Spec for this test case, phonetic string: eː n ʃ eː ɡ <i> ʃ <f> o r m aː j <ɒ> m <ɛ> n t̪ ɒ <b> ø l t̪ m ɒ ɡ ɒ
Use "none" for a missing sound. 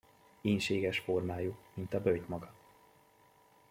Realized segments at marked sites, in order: ɛ, f, u, i, b

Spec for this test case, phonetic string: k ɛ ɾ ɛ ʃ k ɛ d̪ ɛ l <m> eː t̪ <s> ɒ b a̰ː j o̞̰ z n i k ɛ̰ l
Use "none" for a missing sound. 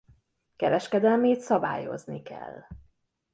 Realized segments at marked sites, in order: m, s

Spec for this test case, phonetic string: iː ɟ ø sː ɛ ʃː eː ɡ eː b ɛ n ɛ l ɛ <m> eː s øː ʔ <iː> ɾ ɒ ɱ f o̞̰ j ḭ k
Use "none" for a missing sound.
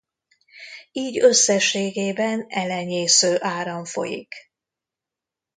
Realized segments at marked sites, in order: ɲ, aː

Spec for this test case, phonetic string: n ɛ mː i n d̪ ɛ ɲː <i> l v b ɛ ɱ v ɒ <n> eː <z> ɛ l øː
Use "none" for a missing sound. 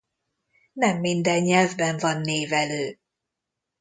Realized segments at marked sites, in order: ɛ, nː, v

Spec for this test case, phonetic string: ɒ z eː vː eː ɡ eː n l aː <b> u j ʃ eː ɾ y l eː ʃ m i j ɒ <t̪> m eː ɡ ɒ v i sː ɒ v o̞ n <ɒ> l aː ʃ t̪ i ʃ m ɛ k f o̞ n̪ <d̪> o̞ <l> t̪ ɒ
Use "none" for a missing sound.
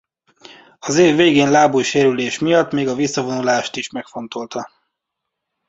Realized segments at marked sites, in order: b, t̪, u, t̪, l

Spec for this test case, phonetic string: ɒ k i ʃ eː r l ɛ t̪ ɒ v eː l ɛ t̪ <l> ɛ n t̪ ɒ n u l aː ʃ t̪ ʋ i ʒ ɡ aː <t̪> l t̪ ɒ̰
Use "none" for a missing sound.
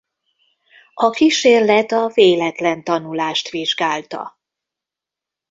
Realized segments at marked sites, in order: l, none

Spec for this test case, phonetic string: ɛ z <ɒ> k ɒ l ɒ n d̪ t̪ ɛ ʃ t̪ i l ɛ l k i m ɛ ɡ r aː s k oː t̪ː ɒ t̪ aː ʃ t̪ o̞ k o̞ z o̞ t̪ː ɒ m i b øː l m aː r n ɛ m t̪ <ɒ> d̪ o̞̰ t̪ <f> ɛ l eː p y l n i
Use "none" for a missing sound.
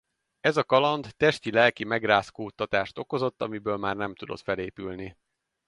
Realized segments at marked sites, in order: ɒ, u, f

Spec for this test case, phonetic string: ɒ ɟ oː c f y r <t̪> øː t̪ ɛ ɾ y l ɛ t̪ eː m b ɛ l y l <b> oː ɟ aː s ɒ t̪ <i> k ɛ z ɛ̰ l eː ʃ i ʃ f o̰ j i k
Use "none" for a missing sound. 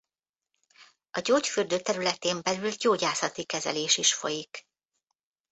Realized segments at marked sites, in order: d̪, ɟ, i

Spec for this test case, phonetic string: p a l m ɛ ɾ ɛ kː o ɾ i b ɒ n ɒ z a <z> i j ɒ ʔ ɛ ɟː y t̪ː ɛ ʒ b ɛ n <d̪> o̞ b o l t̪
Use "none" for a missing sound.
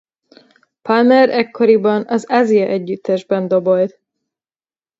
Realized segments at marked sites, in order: z, d̪

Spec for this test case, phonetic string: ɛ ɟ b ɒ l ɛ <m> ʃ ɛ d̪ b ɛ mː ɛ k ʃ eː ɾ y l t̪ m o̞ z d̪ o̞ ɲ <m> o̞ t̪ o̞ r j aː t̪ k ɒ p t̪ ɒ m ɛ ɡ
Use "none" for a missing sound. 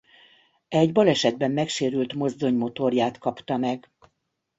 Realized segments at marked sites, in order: none, m

